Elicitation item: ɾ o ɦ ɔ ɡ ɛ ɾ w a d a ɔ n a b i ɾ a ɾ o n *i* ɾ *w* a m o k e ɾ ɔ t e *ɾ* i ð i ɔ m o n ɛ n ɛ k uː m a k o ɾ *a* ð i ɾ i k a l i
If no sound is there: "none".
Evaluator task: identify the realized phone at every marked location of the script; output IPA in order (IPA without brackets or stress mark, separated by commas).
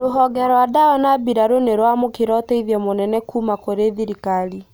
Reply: e, w, none, e